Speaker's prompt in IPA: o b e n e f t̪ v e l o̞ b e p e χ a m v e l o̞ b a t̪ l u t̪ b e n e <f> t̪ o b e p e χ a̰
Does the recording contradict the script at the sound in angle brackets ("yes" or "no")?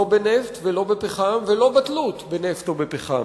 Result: no